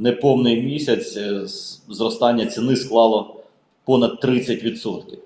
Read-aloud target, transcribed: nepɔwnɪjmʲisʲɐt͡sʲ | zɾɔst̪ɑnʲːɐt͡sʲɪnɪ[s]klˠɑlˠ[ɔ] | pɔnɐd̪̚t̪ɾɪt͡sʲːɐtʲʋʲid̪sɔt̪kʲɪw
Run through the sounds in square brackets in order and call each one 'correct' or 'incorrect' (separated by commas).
correct, correct